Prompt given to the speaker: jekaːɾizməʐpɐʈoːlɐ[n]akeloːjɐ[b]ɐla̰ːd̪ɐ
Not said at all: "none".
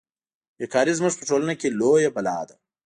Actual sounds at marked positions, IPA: n, b

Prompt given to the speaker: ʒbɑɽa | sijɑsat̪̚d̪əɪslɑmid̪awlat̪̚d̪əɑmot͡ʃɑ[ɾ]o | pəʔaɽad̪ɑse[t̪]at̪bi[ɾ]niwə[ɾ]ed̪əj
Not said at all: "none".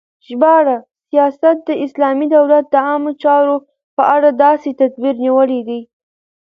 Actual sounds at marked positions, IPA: ɾ, t̪, ɾ, l

